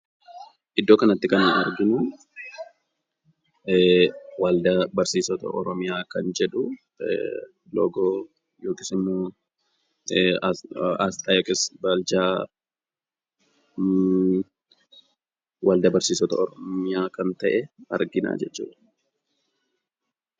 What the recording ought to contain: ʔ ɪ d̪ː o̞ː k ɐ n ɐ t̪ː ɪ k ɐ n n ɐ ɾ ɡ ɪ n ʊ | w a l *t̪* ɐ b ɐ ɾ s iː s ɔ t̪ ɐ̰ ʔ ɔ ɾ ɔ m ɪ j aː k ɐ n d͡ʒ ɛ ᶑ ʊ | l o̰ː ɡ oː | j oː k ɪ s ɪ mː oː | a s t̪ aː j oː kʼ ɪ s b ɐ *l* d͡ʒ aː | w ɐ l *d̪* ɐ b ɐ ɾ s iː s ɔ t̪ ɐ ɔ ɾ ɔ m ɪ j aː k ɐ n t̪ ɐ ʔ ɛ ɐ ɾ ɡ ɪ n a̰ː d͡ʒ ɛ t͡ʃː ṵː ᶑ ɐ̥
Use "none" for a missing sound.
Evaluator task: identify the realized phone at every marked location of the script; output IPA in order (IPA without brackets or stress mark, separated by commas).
d̪, l, d̪